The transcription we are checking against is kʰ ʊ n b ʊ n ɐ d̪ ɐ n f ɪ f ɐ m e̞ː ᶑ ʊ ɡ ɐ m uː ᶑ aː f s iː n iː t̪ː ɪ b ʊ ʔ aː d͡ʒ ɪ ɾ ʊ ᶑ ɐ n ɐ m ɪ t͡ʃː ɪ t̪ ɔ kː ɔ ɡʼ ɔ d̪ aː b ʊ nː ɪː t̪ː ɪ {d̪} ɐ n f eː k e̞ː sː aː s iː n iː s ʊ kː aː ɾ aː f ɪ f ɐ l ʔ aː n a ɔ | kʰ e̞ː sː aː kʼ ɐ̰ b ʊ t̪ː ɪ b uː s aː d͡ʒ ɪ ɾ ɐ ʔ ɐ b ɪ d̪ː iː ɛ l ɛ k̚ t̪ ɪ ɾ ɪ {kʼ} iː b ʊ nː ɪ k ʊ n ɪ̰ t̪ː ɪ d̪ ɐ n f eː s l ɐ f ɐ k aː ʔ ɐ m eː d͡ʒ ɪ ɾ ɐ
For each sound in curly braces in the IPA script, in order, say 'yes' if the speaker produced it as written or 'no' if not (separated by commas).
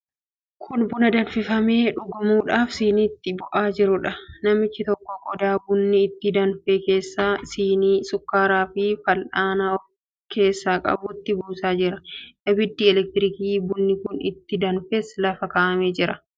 yes, no